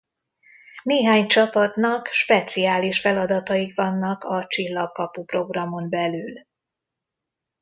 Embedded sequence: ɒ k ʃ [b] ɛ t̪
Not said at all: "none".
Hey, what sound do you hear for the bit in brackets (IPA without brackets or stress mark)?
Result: p